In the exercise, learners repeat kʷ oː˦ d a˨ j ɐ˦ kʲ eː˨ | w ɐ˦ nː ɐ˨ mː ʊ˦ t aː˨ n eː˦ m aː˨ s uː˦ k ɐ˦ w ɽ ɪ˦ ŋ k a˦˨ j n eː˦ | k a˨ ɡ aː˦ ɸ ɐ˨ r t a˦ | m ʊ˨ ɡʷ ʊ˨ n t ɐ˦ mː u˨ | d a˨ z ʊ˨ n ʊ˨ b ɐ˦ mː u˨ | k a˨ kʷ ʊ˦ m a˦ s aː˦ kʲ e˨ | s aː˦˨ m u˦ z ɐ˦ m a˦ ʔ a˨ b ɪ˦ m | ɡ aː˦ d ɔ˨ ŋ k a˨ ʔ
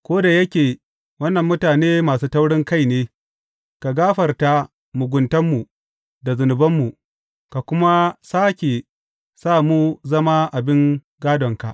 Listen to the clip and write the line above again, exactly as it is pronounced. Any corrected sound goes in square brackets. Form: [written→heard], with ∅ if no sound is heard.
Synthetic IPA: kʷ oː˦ d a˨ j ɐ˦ kʲ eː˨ | w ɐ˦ nː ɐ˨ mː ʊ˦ t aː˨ n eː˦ m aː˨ s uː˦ [k→t] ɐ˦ w ɽ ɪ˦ ŋ k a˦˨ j n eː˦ | k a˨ ɡ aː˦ ɸ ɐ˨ r t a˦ | m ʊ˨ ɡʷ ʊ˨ n t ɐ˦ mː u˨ | d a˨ z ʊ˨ n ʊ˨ b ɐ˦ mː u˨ | k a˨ kʷ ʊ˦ m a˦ s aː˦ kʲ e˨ | s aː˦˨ m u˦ z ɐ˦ m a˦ ʔ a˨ b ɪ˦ [m→ŋ] | ɡ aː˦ d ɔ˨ ŋ k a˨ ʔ